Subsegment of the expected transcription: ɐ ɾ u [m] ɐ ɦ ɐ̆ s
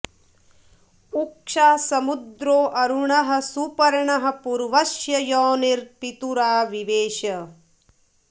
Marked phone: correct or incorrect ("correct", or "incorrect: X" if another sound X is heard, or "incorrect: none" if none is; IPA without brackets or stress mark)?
incorrect: ɳ